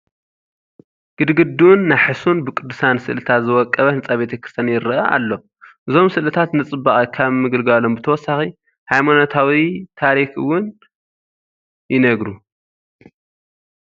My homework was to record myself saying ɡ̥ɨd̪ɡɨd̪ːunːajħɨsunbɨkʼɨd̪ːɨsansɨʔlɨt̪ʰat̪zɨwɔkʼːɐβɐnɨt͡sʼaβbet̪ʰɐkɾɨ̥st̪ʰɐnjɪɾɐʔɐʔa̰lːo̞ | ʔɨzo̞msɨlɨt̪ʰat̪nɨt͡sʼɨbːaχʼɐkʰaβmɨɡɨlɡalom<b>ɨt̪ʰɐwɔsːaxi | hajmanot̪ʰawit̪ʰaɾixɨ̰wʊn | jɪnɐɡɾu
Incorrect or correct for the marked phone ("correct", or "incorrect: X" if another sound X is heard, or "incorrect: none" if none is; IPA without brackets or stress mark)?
correct